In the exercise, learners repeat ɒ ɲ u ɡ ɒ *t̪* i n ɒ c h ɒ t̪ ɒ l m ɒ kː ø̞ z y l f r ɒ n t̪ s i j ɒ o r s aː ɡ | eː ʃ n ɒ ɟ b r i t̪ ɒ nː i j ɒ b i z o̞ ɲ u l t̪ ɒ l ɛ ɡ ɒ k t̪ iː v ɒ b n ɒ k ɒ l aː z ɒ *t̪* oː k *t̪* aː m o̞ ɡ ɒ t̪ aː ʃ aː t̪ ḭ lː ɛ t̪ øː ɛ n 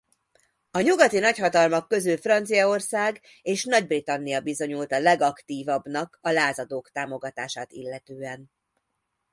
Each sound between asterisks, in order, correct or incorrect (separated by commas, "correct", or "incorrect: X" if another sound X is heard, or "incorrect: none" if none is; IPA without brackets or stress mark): correct, incorrect: d̪, correct